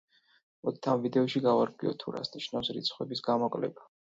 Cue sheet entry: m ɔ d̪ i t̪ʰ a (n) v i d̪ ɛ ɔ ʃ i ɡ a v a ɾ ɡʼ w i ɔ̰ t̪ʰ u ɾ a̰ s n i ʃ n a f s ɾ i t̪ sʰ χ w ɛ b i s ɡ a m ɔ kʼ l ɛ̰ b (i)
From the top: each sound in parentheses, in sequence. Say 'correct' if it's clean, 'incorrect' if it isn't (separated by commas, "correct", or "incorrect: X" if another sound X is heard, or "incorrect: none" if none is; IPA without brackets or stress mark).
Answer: incorrect: m, incorrect: a